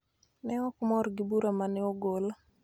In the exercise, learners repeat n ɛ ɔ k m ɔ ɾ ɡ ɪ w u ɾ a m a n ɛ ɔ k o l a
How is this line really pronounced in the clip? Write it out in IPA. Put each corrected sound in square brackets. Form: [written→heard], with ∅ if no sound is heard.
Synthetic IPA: n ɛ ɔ k m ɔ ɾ ɡ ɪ [w→b] u ɾ a m a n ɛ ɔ [k→ɡ] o l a